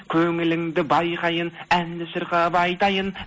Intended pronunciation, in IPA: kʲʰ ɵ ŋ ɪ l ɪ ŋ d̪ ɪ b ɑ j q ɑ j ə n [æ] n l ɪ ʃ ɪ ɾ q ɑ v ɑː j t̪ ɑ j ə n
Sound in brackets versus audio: correct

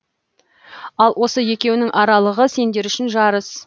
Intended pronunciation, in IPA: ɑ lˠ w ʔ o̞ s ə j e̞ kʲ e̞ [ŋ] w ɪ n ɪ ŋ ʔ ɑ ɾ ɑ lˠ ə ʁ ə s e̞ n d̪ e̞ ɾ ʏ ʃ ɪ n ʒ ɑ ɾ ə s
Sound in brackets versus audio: incorrect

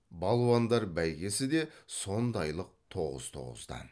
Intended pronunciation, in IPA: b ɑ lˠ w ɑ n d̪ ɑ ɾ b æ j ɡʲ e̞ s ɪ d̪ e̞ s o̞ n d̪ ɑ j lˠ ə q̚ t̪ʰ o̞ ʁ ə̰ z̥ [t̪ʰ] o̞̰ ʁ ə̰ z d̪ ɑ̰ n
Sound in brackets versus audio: correct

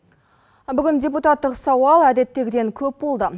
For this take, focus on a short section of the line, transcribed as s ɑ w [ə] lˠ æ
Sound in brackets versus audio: incorrect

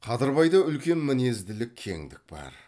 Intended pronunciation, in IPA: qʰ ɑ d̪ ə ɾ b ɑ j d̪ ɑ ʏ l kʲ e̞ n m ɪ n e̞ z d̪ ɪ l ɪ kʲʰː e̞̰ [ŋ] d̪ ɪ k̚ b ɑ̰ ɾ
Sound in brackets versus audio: correct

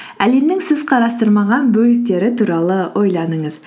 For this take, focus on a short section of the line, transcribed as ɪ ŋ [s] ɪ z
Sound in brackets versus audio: correct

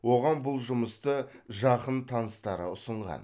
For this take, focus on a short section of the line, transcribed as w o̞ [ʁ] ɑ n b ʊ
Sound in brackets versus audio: correct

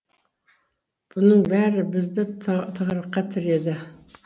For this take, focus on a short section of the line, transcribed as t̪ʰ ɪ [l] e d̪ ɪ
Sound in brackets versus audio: incorrect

